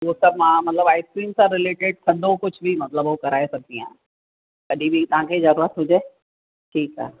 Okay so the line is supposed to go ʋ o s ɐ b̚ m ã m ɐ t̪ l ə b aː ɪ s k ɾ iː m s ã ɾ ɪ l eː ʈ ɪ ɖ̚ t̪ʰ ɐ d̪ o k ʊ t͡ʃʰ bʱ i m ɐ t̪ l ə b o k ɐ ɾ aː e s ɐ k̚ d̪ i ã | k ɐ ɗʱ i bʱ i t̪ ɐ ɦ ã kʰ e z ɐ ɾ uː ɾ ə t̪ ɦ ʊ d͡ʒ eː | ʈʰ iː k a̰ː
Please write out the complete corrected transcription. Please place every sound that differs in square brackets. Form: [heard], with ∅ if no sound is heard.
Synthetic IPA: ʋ o s ɐ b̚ m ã m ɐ t̪ l ə b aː ɪ s k ɾ iː m s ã ɾ ɪ l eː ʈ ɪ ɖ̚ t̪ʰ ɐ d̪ o k ʊ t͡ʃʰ bʱ i m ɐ t̪ l ə b o k ɐ ɾ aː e s ɐ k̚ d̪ i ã | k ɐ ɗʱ i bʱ i t̪ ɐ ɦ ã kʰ e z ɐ ɾ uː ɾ ə t̪ ɦ ʊ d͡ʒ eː | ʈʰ iː k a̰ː

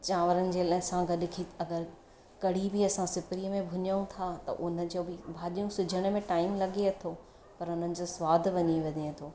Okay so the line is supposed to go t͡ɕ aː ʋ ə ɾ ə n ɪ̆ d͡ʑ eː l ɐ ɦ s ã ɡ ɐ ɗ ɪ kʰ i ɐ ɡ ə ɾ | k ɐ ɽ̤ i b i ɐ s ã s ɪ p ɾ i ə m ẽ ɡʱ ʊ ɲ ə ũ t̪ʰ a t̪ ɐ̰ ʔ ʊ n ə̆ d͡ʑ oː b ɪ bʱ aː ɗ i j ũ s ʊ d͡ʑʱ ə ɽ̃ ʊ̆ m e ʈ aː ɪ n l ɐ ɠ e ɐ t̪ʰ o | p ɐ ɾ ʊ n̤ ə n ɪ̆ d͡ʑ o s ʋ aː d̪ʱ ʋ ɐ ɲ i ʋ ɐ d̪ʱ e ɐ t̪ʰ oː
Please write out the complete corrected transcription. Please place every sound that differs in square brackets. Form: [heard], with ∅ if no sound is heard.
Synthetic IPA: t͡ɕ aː ʋ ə ɾ ə n ɪ̆ d͡ʑ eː l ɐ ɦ s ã ɡ ɐ ɗ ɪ kʰ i ɐ ɡ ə ɾ | k ɐ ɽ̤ i b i ɐ s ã s ɪ p ɾ i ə m ẽ [bʱ] ʊ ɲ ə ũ t̪ʰ a t̪ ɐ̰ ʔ ʊ n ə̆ d͡ʑ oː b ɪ bʱ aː ɗ i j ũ s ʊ d͡ʑʱ ə ɽ̃ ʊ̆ m [ẽ] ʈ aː ɪ [m] l ɐ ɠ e ɐ t̪ʰ o | p ɐ ɾ ʊ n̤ ə n ɪ̆ d͡ʑ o s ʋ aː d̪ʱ ʋ ɐ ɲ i ʋ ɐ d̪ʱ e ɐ t̪ʰ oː

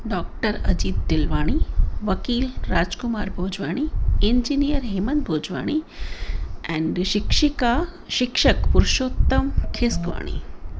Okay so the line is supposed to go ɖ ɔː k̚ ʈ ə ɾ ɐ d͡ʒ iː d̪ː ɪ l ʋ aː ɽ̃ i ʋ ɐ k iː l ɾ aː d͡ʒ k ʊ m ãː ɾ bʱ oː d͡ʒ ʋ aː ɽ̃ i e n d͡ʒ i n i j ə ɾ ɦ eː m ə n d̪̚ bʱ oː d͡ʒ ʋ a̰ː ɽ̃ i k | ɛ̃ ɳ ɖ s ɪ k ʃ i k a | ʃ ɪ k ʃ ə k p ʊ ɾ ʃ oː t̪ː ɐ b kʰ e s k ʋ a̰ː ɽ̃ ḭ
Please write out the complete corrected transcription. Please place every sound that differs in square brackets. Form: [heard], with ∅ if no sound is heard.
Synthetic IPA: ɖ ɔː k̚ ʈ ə ɾ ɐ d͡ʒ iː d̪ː ɪ l ʋ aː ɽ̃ i ʋ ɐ k iː l ɾ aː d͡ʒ k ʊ m [aː] ɾ bʱ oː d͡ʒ ʋ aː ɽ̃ i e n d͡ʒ i n i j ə ɾ ɦ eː m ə n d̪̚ bʱ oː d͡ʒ ʋ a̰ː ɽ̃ i [∅] | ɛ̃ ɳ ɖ [ʃ] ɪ k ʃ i k a | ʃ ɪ k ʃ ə k p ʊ ɾ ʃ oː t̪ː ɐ [m] kʰ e s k ʋ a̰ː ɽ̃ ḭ

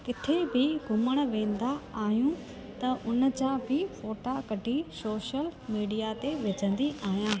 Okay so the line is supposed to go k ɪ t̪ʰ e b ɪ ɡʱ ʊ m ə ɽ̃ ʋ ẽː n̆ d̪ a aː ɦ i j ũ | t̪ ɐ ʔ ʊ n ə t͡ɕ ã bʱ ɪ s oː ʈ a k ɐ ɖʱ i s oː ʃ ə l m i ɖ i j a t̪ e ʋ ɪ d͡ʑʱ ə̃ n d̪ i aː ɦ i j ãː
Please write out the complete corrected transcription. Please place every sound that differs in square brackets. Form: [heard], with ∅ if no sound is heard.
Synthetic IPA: k ɪ t̪ʰ e b ɪ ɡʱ ʊ m ə ɽ̃ ʋ ẽː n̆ d̪ a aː ɦ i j ũ | t̪ ɐ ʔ ʊ n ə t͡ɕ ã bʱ ɪ [f] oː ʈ a k ɐ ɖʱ i s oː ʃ ə l m [iː] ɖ i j a t̪ e ʋ ɪ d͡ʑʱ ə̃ n d̪ i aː ɦ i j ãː

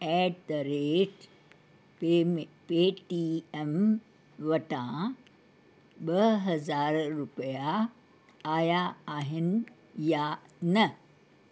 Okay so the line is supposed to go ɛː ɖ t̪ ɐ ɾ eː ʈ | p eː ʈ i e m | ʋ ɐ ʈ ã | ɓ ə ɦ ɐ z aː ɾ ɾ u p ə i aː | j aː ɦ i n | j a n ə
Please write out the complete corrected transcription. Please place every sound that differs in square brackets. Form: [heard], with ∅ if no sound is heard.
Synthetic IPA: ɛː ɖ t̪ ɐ ɾ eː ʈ | p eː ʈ i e m | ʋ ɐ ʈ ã | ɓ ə ɦ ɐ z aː ɾ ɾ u p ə [j] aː | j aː ɦ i n | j a n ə

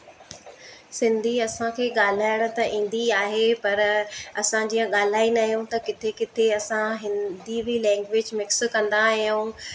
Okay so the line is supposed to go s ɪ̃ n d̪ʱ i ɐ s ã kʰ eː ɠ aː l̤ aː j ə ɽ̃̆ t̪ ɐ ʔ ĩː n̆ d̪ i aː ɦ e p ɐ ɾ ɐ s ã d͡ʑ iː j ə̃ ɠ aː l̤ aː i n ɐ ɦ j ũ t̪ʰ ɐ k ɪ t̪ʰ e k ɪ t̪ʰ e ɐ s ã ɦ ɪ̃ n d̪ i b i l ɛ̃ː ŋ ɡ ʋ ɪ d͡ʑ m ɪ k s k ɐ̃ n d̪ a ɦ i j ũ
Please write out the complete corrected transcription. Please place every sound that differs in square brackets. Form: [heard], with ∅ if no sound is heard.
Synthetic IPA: s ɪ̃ n d̪ʱ i ɐ s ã kʰ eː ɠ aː l̤ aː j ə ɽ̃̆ t̪ ɐ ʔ ĩː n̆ d̪ i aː ɦ e p ɐ ɾ ɐ s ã d͡ʑ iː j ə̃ ɠ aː l̤ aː i n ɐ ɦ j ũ [t̪] ɐ k ɪ t̪ʰ e k ɪ t̪ʰ e ɐ s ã ɦ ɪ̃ n d̪ i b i l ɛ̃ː ŋ ɡ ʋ ɪ d͡ʑ m ɪ k s k ɐ̃ n d̪ a ɦ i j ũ

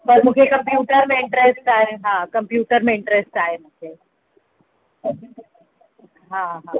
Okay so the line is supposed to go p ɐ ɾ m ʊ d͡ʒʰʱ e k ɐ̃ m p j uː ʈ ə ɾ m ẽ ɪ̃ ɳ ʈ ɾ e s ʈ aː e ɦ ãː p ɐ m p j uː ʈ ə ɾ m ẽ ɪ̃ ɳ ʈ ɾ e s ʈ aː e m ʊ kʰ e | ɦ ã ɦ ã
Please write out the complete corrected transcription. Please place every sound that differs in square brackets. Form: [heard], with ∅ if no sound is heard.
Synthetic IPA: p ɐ ɾ m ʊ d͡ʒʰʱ e k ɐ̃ m p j uː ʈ ə ɾ m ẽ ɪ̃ ɳ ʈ ɾ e s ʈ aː e ɦ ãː [k] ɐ m p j uː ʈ ə ɾ m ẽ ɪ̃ ɳ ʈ ɾ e s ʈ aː e m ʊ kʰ e | ɦ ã ɦ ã

